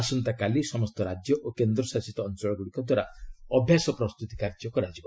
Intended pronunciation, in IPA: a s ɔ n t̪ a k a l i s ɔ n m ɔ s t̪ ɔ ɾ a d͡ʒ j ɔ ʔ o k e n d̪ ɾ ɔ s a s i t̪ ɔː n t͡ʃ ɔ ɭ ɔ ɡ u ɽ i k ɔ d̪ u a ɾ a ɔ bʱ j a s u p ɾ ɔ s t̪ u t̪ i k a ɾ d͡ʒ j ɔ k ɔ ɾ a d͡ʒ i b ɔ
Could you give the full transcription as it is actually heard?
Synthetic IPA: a s ɔ n t̪ a k a l i s ɔ m ɔ s t̪ ɔ ɾ a d͡ʒ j ɔ ʔ o k e n d̪ ɾ ɔ s a s i t̪ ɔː n t͡ʃ ɔ ɭ ɔ ɡ u ɽ i k ɔ d̪ w a ɾ a ɔ bʱ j a s ɔ p ɾ ɔ s t̪ u t̪ i k a ɾ d͡ʒ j ɔ k ɔ ɾ a d͡ʒ i b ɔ